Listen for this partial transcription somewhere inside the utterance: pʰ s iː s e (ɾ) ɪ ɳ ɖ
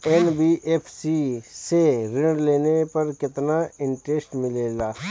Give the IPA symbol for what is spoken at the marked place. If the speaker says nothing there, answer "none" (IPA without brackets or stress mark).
ɾ